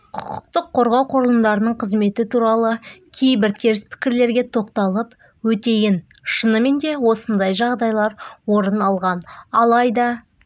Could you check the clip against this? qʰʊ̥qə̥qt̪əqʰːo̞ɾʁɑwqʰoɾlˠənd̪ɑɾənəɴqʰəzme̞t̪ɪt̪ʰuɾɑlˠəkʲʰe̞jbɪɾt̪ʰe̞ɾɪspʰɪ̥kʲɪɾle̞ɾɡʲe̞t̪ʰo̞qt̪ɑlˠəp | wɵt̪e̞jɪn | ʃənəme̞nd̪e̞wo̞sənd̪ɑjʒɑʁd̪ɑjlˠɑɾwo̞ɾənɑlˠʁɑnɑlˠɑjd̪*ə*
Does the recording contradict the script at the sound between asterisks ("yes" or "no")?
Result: yes